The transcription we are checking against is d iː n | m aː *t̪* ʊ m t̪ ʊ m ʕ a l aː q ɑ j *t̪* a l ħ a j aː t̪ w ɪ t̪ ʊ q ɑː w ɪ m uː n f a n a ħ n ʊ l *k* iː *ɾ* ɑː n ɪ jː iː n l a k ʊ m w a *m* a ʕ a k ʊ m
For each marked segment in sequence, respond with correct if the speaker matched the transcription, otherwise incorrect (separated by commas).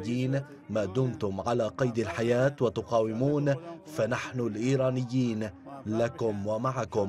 incorrect, incorrect, incorrect, correct, correct